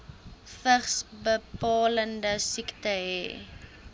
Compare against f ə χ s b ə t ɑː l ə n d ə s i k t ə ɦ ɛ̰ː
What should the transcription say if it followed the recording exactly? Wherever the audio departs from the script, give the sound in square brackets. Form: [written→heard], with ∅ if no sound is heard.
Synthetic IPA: f ə χ s b ə [t→p] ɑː l ə n d ə s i k t ə ɦ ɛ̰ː